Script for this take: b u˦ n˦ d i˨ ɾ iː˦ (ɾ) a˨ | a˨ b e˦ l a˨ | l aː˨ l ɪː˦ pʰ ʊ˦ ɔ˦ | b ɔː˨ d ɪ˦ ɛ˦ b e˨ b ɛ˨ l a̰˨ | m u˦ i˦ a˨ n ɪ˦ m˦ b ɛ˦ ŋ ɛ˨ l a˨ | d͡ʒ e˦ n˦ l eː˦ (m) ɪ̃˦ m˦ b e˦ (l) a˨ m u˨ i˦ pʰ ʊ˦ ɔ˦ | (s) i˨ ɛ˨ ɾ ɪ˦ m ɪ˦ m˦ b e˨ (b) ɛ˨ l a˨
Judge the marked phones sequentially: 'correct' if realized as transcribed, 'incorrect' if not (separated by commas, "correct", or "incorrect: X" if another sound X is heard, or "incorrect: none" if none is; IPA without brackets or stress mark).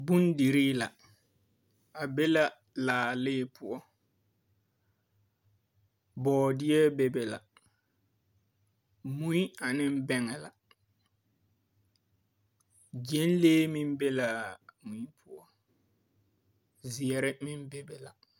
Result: incorrect: l, correct, correct, incorrect: z, correct